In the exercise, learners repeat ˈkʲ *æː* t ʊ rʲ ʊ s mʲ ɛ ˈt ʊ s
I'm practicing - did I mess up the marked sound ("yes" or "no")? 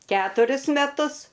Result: no